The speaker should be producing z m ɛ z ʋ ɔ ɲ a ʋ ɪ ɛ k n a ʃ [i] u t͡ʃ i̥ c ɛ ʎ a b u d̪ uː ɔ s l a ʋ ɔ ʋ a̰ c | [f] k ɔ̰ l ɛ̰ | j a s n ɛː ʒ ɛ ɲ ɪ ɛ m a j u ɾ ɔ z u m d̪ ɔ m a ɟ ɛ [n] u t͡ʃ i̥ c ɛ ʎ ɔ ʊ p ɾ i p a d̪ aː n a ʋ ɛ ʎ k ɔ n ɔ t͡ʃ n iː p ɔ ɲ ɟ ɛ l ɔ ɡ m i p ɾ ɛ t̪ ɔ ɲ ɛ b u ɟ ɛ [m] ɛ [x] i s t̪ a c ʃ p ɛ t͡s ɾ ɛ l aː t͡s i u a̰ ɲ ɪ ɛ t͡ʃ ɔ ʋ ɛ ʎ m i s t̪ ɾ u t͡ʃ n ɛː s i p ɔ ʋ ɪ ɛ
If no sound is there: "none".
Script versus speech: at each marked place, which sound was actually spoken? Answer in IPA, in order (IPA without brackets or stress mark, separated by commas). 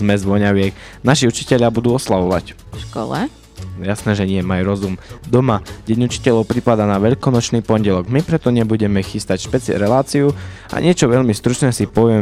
i, ʃ, ɲ, m, x